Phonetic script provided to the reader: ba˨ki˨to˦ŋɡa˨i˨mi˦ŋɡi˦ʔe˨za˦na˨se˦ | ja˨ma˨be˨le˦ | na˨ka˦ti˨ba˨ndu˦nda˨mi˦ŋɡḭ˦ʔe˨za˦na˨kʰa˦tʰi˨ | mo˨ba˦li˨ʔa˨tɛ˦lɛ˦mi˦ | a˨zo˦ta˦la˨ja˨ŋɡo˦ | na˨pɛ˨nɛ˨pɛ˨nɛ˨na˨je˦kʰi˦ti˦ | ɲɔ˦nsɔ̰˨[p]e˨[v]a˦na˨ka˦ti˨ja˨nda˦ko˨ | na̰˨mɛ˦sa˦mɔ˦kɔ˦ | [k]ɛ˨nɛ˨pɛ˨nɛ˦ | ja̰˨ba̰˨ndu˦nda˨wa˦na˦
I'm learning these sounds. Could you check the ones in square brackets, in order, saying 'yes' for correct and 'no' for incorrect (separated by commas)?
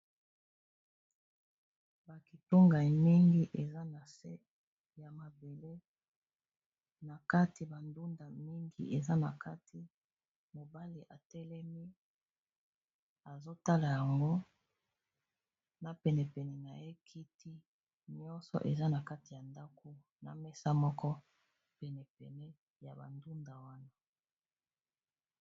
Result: no, no, no